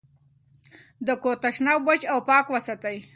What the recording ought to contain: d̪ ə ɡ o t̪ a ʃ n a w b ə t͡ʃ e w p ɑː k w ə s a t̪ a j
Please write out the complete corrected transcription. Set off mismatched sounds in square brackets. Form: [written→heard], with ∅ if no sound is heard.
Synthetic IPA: d̪ ə [ɡ→k] o t̪ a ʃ n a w b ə t͡ʃ [e→a] w p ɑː k w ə s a t̪ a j

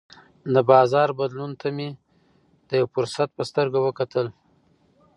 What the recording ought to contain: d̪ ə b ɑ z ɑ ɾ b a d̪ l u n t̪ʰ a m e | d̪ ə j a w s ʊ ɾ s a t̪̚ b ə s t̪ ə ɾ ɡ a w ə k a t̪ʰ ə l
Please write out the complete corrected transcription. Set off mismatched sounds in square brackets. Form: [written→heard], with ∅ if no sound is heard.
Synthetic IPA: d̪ ə b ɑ z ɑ ɾ b a d̪ l u n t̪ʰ a m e | d̪ ə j a w [s→f] ʊ ɾ s a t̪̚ [b→p] ə s t̪ ə ɾ ɡ a w ə k a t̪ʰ ə l

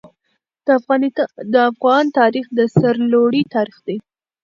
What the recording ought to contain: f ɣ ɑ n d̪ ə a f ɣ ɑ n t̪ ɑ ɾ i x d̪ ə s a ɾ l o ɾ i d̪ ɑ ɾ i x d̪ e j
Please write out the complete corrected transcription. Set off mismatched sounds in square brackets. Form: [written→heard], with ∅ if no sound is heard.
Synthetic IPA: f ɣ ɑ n d̪ ə a f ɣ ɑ n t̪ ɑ ɾ i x d̪ ə s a ɾ l o [ɾ→ɽ] i [d̪→t̪] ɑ ɾ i x d̪ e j

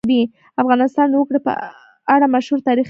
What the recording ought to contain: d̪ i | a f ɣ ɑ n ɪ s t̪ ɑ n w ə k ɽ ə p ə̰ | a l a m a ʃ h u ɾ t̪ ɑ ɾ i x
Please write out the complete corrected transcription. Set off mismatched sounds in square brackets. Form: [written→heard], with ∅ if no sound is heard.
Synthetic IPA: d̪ i | a f ɣ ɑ n ɪ s t̪ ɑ n w ə k ɽ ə p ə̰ | a [l→ɽ] a m a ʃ h u ɾ t̪ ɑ ɾ i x

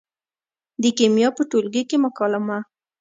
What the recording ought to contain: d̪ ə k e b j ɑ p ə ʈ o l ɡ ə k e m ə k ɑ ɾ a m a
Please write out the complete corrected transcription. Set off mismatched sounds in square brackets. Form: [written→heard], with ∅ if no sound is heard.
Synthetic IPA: d̪ ə k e [b→m] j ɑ p ə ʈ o l ɡ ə k e m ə k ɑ [ɾ→l] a m a

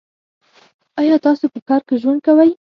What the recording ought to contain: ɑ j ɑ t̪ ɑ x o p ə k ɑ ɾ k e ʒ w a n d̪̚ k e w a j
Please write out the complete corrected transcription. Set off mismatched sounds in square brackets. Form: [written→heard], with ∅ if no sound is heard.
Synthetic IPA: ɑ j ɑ t̪ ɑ [x→s] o p ə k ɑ ɾ k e ʒ w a n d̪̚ k [e→a] w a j

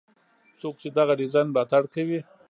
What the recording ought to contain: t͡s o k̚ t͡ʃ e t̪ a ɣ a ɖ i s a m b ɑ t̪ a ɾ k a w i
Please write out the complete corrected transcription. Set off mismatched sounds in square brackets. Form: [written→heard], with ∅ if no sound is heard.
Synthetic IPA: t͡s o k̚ t͡ʃ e [t̪→d̪] a ɣ a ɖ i [s→z] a [m→n] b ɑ t̪ a [ɾ→ɽ] k a w i

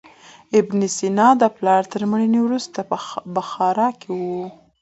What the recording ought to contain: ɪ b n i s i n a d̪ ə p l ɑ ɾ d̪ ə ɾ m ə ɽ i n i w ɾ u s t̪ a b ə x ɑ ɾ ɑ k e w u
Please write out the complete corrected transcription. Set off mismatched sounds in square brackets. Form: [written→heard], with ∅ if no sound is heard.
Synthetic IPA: ɪ b n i s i n [a→ɑ] d̪ ə p l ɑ ɾ [d̪→t̪] ə ɾ m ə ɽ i n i w ɾ u s t̪ a b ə x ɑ ɾ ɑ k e w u

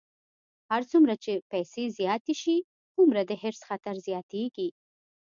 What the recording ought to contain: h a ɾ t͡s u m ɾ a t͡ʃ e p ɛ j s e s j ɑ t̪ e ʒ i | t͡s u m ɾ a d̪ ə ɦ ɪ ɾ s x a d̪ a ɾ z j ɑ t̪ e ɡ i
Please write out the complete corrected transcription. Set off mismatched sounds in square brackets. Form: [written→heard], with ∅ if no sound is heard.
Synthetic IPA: h a ɾ t͡s u m ɾ a t͡ʃ e p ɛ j s e [s→z] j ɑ t̪ e [ʒ→ʃ] i | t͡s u m ɾ a d̪ ə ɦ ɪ ɾ s x a [d̪→t̪] a ɾ z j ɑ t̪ e ɡ i

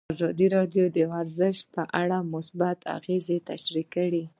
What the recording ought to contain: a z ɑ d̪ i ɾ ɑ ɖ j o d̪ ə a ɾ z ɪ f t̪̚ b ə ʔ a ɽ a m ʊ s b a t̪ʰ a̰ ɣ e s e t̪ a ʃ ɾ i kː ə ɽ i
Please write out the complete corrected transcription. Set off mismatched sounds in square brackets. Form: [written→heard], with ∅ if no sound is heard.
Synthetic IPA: a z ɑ d̪ i ɾ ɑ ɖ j o d̪ ə a ɾ z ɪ [f→ʃ] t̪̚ [b→p] ə ʔ a ɽ a m ʊ s b a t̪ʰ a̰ ɣ e [s→z] e t̪ a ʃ ɾ i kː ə ɽ i

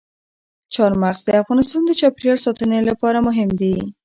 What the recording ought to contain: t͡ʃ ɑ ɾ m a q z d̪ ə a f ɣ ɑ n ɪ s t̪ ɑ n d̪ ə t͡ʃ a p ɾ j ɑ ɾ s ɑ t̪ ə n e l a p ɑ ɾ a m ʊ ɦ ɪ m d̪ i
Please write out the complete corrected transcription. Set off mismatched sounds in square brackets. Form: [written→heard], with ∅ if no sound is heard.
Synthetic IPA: t͡ʃ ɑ ɾ m a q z d̪ ə a f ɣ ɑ n ɪ s t̪ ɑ n d̪ ə t͡ʃ [a→ɑ] p ɾ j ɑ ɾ s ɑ t̪ ə n e l a p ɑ ɾ a m ʊ ɦ ɪ m d̪ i

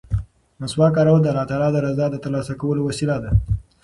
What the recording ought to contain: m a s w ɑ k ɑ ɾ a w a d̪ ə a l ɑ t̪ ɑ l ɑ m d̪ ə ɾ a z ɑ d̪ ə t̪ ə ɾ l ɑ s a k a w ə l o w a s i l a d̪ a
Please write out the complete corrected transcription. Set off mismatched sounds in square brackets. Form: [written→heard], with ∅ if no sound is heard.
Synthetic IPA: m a s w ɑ k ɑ ɾ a w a d̪ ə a l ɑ t̪ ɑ l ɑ [m→∅] d̪ ə ɾ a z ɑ d̪ ə t̪ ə ɾ l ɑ s a k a w ə l o w a s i l a d̪ a

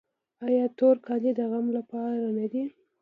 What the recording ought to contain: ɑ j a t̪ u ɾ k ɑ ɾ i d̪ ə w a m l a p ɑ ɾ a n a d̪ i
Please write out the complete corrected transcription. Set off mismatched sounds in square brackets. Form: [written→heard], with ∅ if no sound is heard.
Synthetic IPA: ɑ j [a→ɑ] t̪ [u→o] ɾ k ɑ [ɾ→l] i d̪ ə [w→ɣ] a m l a p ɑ ɾ a n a d̪ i

